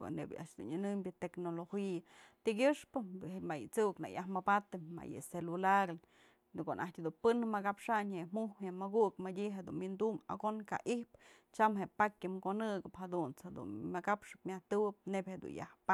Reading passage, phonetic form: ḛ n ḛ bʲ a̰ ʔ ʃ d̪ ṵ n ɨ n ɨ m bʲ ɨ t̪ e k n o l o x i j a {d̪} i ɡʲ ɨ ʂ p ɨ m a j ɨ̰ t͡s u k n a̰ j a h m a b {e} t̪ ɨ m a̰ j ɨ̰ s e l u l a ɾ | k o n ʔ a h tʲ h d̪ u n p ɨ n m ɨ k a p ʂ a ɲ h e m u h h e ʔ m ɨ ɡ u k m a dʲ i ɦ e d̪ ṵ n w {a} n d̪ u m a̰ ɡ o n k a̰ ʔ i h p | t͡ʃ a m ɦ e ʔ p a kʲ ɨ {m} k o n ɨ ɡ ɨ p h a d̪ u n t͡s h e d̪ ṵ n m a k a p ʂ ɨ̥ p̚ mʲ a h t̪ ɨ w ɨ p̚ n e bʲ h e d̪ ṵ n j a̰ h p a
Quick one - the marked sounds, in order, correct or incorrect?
incorrect, incorrect, incorrect, correct

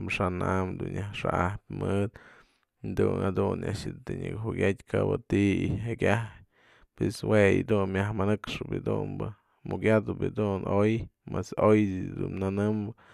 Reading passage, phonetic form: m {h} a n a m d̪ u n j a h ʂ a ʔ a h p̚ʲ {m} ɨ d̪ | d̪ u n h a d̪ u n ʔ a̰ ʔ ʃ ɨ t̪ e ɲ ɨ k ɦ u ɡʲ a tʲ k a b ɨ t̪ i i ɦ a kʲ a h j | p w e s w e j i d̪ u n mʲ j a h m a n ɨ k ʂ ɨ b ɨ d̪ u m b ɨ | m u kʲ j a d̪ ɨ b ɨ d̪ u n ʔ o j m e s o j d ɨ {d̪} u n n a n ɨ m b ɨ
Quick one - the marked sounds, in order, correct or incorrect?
incorrect, correct, correct

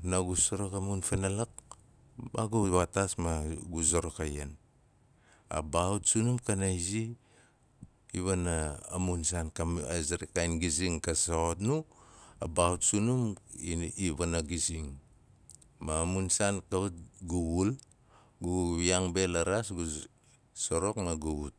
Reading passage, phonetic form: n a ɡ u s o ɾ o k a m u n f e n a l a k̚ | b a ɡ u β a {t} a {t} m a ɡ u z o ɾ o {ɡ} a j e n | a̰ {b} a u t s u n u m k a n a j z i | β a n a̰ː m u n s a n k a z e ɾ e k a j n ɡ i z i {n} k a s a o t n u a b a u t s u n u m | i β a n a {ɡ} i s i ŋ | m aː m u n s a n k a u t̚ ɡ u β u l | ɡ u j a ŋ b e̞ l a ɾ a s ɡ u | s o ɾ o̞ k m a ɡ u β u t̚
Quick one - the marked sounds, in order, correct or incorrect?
correct, incorrect, incorrect, correct, incorrect, correct

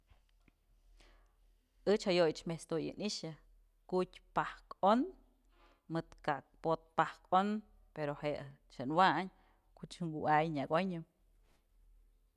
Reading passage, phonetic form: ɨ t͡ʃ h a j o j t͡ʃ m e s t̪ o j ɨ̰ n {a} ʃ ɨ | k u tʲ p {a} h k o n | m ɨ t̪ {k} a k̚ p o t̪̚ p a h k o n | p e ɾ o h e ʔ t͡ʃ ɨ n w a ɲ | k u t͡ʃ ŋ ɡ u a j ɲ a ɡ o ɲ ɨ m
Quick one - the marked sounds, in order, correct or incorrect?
incorrect, correct, correct

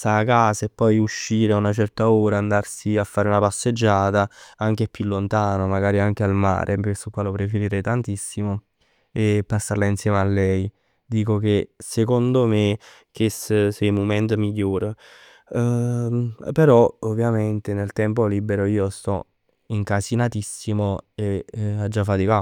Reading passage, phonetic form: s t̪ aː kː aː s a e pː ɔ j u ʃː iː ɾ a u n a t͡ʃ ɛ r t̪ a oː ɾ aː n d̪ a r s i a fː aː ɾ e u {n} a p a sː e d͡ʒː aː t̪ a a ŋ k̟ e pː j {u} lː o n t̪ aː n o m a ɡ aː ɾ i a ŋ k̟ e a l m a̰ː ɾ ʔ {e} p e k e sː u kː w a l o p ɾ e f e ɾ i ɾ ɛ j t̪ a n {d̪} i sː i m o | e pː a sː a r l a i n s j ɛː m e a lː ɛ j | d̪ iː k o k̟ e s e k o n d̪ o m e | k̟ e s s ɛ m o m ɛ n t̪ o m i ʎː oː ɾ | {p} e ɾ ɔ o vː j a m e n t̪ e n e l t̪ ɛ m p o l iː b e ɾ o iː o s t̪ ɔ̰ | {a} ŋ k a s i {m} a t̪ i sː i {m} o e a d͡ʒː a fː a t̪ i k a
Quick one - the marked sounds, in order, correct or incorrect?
correct, correct, correct, incorrect, correct, incorrect, incorrect, correct

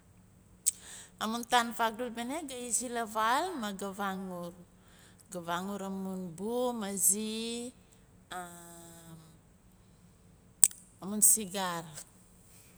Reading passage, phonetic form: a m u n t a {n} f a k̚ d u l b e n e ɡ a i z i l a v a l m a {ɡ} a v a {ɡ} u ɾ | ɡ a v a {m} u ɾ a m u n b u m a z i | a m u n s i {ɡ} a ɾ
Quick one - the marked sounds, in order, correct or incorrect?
correct, correct, incorrect, incorrect, correct

